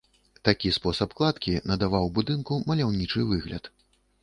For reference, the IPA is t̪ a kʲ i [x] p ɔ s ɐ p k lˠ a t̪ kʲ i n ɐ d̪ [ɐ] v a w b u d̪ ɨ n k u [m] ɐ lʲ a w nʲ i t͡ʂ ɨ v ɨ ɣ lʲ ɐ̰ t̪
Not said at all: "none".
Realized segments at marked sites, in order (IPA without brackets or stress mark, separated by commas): s, a, m